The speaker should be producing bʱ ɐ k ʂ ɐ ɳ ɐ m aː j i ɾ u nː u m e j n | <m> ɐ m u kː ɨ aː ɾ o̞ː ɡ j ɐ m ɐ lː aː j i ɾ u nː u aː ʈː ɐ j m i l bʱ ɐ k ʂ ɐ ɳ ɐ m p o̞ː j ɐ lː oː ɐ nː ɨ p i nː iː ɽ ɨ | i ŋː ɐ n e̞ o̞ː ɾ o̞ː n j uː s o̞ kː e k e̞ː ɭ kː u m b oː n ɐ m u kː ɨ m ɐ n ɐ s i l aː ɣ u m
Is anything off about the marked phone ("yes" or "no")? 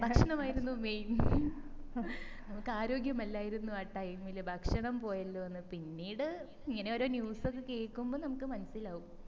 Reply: yes